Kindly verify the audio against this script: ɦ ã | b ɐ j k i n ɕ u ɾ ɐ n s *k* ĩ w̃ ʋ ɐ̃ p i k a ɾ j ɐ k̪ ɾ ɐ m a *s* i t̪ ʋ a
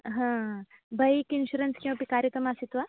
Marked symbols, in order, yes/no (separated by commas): yes, yes